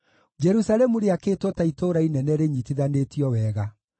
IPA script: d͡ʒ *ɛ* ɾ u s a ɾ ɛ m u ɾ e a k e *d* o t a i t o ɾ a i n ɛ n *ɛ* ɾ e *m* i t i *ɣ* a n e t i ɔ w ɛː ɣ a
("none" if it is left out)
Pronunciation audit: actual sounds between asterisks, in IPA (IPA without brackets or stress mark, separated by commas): ɛ, t, ɛ, ɲ, ð